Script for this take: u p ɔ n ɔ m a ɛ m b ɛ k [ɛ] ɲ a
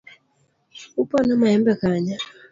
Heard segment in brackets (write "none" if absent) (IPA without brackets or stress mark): a